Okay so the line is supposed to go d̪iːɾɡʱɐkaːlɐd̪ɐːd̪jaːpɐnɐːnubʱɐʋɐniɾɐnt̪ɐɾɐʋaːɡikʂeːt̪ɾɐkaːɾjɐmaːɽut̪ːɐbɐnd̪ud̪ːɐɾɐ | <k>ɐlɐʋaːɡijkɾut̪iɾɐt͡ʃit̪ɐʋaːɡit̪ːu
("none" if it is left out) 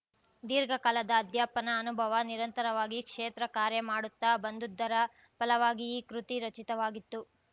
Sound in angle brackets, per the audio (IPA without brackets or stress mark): p